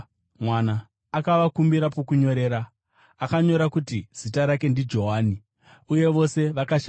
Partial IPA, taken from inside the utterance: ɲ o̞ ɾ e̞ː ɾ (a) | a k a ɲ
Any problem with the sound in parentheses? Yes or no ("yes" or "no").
no